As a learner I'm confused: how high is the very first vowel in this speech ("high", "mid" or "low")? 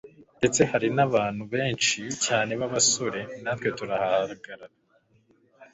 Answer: mid